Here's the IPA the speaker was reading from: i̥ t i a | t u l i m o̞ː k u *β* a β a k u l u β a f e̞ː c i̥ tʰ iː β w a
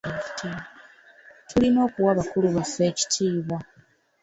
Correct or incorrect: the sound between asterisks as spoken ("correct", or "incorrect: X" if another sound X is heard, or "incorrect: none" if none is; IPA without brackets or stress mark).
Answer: incorrect: w